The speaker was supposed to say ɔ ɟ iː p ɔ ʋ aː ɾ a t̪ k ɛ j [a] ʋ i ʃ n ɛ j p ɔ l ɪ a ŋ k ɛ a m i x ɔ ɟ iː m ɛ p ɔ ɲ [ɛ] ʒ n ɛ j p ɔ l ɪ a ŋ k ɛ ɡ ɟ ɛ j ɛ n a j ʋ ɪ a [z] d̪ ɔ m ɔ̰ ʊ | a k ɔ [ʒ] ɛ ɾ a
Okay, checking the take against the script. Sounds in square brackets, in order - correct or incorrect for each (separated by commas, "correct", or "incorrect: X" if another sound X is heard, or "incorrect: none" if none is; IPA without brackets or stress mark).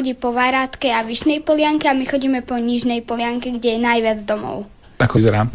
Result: correct, incorrect: i, incorrect: d͡z, incorrect: z